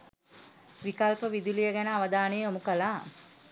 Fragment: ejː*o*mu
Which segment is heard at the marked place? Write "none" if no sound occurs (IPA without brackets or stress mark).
o